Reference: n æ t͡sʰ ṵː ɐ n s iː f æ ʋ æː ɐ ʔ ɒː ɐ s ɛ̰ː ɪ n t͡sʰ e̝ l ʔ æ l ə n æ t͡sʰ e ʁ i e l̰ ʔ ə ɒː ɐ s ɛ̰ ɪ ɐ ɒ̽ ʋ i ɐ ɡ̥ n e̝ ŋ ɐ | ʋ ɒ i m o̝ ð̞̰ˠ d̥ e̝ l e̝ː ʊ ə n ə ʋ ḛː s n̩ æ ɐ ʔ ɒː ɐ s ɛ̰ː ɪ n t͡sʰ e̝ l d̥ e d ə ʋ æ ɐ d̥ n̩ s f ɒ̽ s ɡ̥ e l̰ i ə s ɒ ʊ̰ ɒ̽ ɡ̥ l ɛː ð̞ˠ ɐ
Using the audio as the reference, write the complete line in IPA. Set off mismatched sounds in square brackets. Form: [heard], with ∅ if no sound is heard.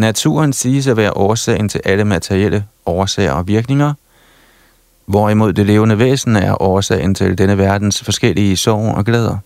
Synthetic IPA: n æ t͡sʰ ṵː ɐ n s iː [s] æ ʋ æː ɐ ʔ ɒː ɐ s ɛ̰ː ɪ n t͡sʰ e̝ l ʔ æ l ə [m] æ t͡sʰ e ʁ i e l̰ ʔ ə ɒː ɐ s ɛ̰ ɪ ɐ ɒ̽ ʋ i ɐ ɡ̥ n e̝ ŋ ɐ | ʋ ɒ i m o̝ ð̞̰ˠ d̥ e̝ l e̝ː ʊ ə n ə ʋ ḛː s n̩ æ ɐ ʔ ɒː ɐ s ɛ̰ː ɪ n t͡sʰ e̝ l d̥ e [n] ə ʋ æ ɐ d̥ n̩ s f ɒ̽ s ɡ̥ e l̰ i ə s ɒ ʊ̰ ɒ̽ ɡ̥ l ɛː ð̞ˠ ɐ